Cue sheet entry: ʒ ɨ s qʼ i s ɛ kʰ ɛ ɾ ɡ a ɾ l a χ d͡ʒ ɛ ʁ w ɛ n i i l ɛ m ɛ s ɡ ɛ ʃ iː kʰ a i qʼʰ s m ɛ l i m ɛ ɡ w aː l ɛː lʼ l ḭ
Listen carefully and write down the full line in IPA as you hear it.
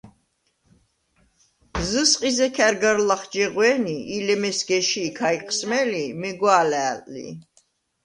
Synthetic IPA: z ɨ s qʼ i z ɛ kʰ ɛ ɾ ɡ a ɾ l a χ d͡ʒ ɛ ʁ w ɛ n i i l ɛ m ɛ s ɡ ɛ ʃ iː kʰ a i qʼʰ s m ɛ l i m ɛ ɡ w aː l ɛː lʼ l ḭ